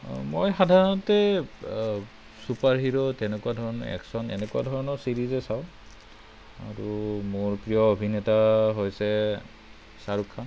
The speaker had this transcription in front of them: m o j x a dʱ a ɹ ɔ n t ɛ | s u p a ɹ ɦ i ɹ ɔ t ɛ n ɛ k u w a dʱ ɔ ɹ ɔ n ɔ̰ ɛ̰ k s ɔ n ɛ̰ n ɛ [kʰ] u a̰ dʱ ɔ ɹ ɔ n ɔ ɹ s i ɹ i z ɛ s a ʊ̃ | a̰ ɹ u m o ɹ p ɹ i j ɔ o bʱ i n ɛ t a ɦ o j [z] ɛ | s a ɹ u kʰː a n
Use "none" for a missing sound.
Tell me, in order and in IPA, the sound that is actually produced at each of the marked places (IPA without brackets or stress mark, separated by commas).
k, s